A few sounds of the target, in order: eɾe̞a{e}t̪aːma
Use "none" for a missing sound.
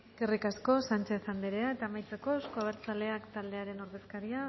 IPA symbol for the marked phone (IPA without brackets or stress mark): e